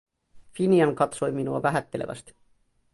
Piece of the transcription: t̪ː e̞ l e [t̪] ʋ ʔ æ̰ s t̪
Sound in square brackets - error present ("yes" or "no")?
yes